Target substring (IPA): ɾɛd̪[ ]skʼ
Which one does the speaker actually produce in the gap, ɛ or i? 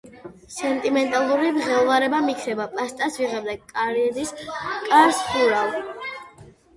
i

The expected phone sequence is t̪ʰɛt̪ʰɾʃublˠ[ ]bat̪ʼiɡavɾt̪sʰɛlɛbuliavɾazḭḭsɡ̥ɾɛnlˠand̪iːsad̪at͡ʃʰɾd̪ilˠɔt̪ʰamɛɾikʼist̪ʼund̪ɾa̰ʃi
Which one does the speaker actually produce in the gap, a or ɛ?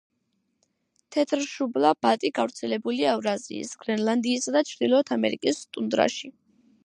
a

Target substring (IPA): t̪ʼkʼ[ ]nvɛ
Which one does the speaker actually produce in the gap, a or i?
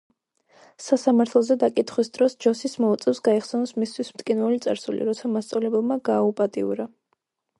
i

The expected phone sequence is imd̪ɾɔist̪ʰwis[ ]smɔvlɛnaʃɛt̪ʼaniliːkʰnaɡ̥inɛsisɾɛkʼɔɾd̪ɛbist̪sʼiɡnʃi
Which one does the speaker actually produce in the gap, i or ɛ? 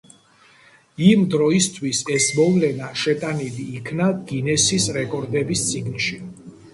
ɛ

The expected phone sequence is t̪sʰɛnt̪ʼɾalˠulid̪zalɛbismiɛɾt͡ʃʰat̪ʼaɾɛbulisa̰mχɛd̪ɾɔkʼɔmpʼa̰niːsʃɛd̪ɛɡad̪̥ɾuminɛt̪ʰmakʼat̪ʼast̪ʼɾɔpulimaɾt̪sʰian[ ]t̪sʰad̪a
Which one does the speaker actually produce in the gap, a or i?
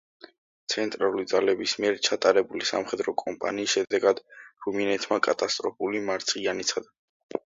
i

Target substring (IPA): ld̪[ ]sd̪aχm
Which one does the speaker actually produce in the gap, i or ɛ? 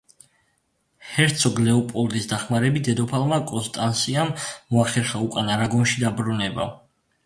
i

